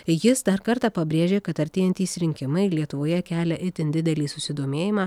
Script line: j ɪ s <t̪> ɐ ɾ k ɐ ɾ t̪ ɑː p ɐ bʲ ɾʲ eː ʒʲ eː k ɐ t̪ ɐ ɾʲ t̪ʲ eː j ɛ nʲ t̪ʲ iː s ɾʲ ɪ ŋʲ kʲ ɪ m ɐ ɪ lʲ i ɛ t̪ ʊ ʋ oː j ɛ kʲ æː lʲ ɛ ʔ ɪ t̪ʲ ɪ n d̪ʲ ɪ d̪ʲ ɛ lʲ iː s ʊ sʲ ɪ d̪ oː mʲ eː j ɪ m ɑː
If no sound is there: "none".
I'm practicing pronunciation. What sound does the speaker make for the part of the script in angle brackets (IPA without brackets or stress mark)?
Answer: d̪